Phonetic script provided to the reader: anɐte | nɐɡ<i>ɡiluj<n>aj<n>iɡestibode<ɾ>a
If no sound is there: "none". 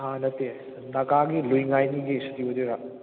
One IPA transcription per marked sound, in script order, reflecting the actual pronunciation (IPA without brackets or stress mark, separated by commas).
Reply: a, ŋ, n, ɾ